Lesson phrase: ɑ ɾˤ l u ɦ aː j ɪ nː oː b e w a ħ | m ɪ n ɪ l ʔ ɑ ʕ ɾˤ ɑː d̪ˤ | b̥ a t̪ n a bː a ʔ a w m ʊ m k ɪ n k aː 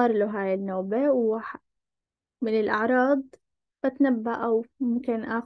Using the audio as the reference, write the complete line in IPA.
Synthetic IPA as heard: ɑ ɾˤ l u ɦ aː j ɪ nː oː b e w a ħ | m ɪ n ɪ l ʔ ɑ ʕ ɾˤ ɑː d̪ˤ | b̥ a t̪ n a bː a ʔ a w m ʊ m k ɪ n ʔ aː